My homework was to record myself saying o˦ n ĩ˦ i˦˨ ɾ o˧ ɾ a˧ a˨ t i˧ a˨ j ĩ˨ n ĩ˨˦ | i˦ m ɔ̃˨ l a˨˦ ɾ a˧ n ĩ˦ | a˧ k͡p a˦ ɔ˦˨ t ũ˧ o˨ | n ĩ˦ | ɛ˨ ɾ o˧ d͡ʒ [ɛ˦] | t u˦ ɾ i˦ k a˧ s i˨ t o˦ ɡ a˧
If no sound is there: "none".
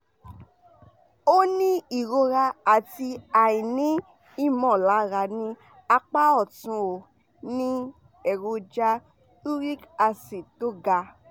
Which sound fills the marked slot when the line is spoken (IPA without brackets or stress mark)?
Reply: a˦